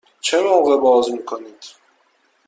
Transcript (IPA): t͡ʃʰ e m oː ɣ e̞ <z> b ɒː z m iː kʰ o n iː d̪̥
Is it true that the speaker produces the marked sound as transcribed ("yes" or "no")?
no